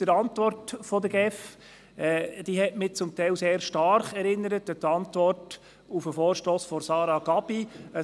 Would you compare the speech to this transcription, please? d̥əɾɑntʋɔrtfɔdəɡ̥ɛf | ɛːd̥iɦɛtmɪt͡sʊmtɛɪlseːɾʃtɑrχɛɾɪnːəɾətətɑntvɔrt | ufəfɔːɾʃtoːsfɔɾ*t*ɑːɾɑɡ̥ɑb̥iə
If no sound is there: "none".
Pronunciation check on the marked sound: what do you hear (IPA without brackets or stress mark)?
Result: s